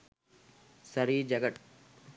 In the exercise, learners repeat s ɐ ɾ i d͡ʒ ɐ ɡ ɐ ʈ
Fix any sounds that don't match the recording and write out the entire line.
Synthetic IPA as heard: s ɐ ɾ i d͡ʒ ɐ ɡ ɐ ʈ